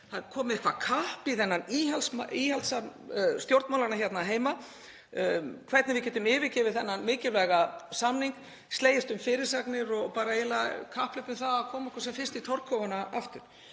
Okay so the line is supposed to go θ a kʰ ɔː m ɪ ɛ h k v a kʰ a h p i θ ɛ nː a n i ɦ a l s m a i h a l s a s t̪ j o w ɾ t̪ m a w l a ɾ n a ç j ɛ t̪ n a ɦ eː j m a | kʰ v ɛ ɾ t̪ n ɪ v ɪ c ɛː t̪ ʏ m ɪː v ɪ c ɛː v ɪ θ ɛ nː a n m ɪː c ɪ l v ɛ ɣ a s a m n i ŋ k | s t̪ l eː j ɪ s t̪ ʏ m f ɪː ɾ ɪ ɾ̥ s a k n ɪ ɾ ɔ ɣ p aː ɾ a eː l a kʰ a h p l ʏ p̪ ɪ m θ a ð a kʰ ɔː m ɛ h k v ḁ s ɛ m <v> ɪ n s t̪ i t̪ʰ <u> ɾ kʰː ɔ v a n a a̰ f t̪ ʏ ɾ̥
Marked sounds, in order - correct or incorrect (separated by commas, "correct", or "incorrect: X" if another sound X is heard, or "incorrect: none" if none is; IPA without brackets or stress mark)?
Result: incorrect: f, incorrect: ɔ